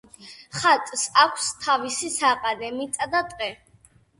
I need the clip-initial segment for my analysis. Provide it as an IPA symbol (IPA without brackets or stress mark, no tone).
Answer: χ